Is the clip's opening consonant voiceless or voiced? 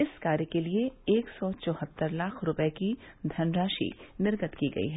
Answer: voiceless